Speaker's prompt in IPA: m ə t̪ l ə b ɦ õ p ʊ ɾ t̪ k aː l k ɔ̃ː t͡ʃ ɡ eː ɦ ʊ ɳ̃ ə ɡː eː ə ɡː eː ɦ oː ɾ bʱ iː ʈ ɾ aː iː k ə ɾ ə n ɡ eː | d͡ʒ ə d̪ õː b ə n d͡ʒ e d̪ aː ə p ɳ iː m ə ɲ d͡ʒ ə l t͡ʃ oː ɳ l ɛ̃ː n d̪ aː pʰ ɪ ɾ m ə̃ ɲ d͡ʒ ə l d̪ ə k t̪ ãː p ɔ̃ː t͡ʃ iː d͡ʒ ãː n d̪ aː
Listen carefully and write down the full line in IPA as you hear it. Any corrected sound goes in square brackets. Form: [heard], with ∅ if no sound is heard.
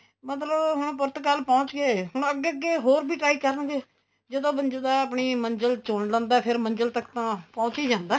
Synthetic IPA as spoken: m ə t̪ l ə b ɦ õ p ʊ ɾ t̪ k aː l [p] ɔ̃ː t͡ʃ ɡ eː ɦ ʊ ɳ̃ ə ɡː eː ə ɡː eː ɦ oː ɾ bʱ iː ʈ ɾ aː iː k ə ɾ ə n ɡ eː | d͡ʒ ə d̪ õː b ə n d͡ʒ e d̪ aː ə p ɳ iː m ə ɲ d͡ʒ ə l t͡ʃ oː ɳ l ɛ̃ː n d̪ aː pʰ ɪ ɾ m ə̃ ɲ d͡ʒ ə l [t̪] ə k t̪ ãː p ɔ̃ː t͡ʃ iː d͡ʒ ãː n d̪ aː

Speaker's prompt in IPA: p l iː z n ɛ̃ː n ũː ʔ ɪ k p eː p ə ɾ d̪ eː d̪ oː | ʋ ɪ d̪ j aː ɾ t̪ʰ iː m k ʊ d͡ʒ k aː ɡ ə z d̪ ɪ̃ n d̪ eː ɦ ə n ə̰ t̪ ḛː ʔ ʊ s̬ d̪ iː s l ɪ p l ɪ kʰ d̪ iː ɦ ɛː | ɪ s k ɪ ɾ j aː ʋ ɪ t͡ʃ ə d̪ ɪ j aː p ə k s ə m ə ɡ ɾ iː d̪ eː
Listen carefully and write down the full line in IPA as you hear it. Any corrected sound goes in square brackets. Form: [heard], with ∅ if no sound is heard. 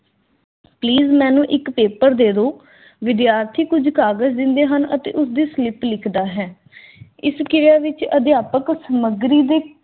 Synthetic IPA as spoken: p l iː z [m] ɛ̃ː n ũː ʔ ɪ k p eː p ə ɾ d̪ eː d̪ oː | ʋ ɪ d̪ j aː ɾ t̪ʰ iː [∅] k ʊ d͡ʒ k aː ɡ ə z d̪ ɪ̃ n d̪ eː ɦ ə n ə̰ t̪ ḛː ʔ ʊ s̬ d̪ iː s l ɪ p l ɪ kʰ d̪ [aː] ɦ ɛː | ɪ s k ɪ ɾ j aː ʋ ɪ t͡ʃ ə d̪ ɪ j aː p ə k s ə m ə ɡ ɾ iː d̪ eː

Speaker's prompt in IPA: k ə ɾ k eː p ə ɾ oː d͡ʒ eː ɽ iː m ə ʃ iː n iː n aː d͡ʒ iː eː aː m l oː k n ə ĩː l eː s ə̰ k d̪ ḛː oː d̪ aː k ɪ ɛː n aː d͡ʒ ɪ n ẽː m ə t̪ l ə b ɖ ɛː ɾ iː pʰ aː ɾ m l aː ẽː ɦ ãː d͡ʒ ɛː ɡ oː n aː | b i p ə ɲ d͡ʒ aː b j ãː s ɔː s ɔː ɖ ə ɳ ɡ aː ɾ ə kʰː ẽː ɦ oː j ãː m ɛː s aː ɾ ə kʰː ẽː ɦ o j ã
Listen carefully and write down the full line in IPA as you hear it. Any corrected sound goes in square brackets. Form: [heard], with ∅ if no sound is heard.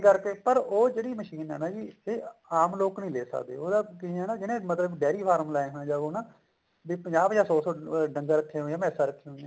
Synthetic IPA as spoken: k ə ɾ k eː p ə ɾ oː d͡ʒ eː ɽ iː m ə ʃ iː n [ɛː] n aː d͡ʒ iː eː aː m l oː k n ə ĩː l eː s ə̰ k d̪ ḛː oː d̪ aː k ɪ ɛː n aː d͡ʒ ɪ n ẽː m ə t̪ l ə b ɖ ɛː ɾ iː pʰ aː ɾ m l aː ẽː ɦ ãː d͡ʒ [aː] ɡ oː n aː | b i p ə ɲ d͡ʒ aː b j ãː s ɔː s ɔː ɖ ə [ŋ] ɡ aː ɾ ə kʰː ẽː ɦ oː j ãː m ɛː s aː ɾ ə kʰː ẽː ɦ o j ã

